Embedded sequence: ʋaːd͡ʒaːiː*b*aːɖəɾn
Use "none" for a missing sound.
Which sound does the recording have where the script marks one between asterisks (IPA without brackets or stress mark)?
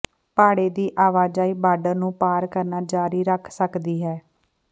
b